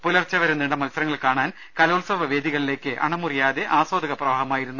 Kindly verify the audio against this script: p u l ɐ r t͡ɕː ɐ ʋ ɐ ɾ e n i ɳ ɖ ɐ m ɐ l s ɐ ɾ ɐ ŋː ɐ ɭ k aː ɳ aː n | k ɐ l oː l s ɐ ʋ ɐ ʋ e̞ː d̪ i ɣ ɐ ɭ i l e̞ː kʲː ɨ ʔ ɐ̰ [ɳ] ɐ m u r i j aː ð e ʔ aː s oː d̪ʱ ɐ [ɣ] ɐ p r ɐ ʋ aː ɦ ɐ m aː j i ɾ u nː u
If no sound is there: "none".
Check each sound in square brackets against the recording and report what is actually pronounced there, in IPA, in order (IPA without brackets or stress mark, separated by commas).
ɳ, ɣ